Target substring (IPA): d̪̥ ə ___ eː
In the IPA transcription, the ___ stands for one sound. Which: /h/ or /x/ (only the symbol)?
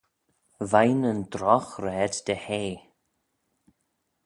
h